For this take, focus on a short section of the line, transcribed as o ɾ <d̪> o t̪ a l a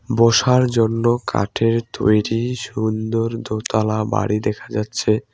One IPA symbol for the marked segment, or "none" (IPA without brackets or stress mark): d̪